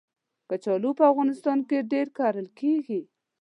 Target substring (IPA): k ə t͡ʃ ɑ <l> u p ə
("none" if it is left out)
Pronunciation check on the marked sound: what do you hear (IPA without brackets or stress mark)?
l